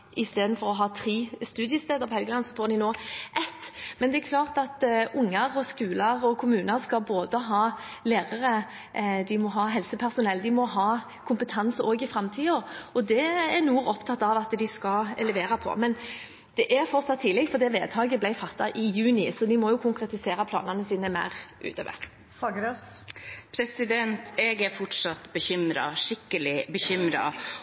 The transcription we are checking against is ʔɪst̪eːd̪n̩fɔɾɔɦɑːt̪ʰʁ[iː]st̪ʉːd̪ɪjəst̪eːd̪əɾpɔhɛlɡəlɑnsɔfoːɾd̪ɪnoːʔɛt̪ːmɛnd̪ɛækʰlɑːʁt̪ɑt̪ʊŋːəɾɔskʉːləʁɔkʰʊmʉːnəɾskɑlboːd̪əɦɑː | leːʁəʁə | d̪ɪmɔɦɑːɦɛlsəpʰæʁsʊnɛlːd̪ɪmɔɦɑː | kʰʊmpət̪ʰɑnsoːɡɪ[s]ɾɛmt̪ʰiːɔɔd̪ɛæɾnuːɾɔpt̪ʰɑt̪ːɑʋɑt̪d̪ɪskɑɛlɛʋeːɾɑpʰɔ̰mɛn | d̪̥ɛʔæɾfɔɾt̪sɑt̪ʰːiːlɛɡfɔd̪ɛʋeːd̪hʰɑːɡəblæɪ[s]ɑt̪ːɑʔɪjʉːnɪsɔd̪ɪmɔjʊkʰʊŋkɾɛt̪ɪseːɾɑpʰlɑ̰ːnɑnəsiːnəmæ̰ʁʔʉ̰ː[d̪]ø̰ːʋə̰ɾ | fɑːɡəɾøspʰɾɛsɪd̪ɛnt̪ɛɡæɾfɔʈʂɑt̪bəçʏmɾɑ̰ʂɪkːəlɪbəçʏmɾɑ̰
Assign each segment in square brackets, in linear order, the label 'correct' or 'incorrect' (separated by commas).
correct, incorrect, incorrect, incorrect